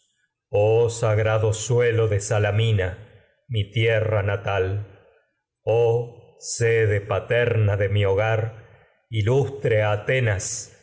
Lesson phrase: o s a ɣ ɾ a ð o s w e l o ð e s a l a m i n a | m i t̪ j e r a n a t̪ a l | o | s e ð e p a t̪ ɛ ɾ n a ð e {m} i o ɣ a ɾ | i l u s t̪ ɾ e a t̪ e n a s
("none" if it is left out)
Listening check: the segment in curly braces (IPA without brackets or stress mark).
m